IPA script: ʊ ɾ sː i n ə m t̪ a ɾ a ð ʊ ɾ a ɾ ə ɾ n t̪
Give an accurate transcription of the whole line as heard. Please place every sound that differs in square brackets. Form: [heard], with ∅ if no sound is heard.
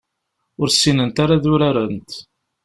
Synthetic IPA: ʊ ɾ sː i n ə [n] t̪ a ɾ a ð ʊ ɾ a ɾ ə [∅] n t̪